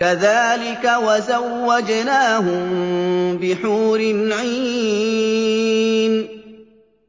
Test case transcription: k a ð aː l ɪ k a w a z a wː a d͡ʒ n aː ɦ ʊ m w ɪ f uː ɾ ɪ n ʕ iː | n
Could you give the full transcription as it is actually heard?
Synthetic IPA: k a ð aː l ɪ k a w a z a wː a d͡ʒ n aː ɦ ʊ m b ɪ ħ uː ɾ ɪ n ʕ iː | n